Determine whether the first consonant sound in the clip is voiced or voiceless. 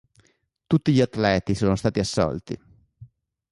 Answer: voiceless